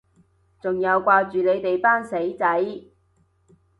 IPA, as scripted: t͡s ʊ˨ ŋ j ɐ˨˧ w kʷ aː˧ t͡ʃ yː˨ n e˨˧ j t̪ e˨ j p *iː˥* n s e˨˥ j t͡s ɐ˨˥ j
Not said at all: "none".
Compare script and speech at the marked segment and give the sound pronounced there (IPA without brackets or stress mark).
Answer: aː˥